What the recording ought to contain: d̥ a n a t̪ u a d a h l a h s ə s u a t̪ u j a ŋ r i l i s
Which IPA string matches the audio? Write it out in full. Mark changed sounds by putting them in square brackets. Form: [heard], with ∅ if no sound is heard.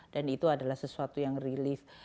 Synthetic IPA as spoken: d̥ a n [i] t̪ u a d a [∅] l a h s ə s u a t̪ u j a ŋ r i l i [f]